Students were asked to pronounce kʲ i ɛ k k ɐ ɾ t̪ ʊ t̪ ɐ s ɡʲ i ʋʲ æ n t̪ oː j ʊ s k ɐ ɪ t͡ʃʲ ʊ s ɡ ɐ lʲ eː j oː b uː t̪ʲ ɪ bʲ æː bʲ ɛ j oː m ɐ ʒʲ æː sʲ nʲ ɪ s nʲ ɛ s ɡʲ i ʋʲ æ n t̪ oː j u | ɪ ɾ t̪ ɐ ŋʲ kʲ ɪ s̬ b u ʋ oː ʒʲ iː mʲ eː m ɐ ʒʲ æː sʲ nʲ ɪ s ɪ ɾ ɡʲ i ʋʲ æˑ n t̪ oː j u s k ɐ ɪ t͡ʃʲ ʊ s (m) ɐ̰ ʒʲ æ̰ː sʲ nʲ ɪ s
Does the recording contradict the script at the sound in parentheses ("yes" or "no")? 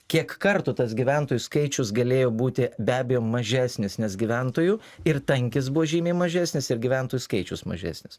no